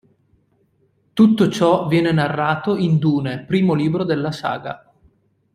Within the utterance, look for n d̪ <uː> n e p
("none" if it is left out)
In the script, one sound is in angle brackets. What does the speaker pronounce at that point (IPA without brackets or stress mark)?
uː